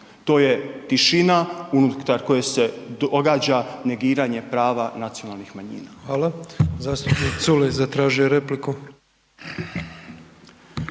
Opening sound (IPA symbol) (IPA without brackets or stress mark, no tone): t̪